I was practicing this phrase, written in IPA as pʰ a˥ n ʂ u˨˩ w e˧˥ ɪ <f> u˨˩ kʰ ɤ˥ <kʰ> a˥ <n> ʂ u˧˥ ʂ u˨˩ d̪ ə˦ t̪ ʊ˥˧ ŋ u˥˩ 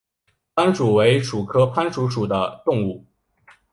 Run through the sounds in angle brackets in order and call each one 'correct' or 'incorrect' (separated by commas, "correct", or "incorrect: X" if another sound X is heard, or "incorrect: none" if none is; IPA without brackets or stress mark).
incorrect: ʂ, incorrect: pʰ, correct